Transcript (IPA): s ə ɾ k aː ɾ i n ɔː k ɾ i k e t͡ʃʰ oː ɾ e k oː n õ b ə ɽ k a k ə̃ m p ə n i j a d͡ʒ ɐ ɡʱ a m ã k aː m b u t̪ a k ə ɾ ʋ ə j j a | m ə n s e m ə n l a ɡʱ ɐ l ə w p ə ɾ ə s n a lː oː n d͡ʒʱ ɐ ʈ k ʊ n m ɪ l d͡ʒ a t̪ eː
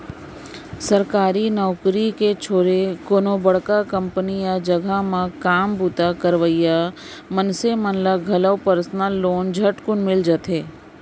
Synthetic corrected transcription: s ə ɾ k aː ɾ i n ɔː k ɾ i k e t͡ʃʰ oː ɾ e k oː n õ b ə ɽ k a k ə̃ m p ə n i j a d͡ʒ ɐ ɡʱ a m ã k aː m b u t̪ a k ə ɾ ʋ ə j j a | m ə n s e m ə n l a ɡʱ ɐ l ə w p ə ɾ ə s n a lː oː n d͡ʒʱ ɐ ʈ k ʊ n m ɪ l d͡ʒ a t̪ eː